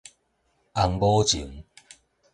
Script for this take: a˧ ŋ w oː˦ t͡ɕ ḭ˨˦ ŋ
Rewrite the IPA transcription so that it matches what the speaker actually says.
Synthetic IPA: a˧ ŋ b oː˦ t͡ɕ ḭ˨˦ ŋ